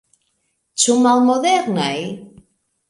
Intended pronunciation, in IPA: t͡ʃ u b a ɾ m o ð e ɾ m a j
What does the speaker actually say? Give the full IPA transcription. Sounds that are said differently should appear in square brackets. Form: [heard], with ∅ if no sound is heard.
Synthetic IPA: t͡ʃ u [m] a [l] m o ð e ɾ [n] a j